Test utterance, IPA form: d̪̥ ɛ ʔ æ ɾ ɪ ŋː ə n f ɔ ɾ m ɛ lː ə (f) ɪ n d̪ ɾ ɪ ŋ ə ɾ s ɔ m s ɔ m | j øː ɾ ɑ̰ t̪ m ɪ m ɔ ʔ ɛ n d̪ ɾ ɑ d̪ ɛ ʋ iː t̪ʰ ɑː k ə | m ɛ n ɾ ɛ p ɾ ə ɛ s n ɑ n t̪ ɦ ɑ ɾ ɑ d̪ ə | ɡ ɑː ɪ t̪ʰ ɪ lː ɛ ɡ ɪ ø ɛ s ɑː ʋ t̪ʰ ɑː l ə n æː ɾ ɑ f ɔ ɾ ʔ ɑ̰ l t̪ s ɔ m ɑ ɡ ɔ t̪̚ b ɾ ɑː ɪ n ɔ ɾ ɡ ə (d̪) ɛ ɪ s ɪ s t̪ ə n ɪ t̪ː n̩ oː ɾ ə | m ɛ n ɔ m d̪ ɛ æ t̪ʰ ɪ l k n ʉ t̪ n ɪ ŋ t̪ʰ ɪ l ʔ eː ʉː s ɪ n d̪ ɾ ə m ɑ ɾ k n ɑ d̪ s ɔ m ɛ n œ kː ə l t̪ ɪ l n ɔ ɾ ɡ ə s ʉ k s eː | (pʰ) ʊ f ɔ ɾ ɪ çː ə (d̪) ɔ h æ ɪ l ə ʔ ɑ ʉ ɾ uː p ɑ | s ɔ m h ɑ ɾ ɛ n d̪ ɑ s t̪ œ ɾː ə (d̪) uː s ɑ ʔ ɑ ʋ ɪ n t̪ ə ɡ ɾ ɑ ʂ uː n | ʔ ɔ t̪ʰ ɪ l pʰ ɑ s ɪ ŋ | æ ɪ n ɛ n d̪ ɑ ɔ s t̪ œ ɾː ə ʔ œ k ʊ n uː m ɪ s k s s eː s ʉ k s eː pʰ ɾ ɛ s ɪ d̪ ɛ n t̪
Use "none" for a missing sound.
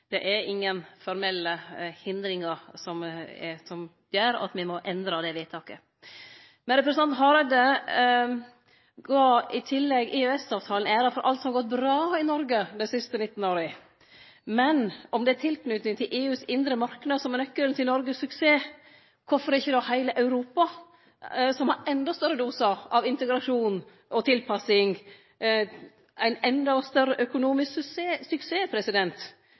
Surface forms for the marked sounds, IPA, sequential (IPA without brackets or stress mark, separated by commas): h, d̪, kʰ, d̪, d̪